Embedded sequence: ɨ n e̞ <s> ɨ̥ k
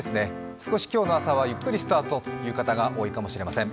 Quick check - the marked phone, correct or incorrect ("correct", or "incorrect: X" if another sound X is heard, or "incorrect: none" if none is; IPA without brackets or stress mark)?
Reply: correct